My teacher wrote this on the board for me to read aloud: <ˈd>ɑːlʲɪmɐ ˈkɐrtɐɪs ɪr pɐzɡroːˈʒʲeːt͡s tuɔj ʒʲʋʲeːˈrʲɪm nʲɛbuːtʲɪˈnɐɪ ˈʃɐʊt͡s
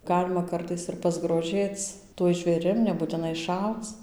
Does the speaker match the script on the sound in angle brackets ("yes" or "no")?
no